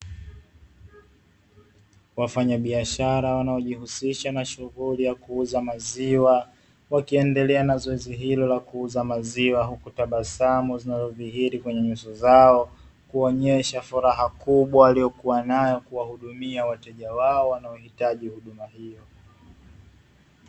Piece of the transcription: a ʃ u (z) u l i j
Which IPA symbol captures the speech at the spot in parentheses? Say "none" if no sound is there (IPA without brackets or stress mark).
ɣ